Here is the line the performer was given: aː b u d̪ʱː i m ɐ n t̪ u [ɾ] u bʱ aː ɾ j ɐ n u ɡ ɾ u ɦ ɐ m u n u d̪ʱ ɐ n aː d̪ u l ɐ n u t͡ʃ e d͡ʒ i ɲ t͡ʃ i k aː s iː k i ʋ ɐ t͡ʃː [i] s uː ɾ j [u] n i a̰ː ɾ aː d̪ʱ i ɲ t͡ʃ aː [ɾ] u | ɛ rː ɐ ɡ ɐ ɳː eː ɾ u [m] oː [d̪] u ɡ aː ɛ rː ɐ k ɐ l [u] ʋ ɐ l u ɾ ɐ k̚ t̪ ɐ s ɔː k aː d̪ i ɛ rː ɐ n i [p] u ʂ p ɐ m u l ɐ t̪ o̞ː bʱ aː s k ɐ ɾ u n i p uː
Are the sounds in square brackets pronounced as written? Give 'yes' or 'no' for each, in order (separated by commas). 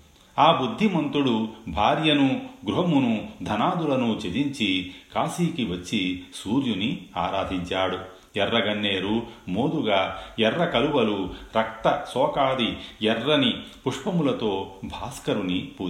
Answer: no, yes, yes, no, yes, yes, yes, yes